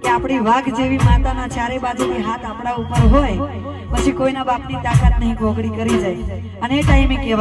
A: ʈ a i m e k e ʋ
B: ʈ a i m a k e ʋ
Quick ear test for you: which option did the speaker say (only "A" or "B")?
A